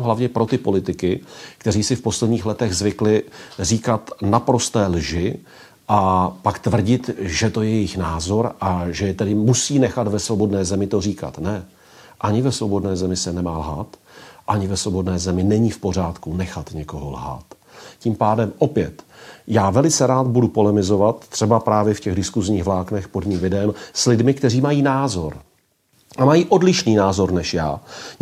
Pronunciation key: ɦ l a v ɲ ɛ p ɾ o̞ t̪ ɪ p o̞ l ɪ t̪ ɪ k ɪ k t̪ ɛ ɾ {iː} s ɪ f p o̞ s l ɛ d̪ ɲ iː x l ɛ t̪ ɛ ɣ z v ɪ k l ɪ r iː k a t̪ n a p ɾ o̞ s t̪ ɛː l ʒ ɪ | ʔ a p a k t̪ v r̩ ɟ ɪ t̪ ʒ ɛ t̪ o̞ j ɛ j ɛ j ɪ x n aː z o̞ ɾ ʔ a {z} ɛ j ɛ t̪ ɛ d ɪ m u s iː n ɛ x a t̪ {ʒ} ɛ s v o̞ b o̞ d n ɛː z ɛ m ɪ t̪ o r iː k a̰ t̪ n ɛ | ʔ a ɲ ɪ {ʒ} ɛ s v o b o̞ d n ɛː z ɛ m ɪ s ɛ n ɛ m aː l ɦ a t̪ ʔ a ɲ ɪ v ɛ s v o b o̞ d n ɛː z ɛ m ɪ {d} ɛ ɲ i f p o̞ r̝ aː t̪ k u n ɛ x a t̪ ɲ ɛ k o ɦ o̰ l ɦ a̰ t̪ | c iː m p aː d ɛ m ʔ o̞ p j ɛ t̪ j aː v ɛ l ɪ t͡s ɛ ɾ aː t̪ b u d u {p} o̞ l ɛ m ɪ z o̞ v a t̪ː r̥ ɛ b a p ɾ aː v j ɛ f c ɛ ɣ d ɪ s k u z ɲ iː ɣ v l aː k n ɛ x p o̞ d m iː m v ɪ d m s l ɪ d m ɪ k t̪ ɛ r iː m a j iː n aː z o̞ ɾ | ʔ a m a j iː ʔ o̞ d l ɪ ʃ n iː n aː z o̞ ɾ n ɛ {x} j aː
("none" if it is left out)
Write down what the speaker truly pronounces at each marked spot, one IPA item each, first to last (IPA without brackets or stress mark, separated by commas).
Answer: iː, ʒ, v, v, n, p, ʃ